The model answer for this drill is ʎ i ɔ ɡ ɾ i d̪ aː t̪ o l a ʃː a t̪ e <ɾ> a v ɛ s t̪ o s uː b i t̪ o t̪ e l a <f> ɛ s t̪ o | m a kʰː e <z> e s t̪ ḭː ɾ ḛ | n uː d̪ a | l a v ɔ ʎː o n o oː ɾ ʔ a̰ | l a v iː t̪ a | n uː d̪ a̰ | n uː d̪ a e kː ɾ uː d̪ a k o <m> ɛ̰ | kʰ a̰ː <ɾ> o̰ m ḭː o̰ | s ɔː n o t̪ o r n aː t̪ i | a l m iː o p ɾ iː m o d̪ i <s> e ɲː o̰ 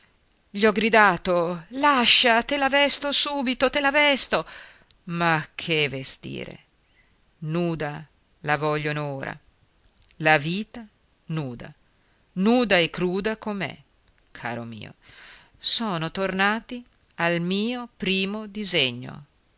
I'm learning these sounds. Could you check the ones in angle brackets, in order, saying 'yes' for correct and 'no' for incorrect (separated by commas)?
no, no, no, yes, yes, no